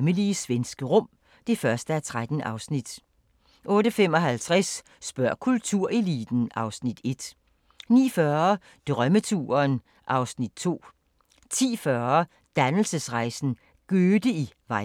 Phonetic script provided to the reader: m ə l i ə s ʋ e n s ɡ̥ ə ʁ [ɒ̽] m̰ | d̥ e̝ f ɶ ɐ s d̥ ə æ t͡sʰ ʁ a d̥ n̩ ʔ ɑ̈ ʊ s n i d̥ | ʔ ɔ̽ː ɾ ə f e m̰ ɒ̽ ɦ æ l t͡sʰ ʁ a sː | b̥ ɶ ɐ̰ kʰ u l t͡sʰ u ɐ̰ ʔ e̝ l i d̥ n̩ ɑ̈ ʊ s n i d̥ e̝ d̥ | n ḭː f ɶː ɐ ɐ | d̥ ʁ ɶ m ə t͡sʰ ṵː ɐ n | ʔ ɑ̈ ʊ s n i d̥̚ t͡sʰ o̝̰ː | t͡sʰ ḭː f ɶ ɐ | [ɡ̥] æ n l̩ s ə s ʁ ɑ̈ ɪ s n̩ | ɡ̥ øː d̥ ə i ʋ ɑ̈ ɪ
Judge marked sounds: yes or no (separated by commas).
no, no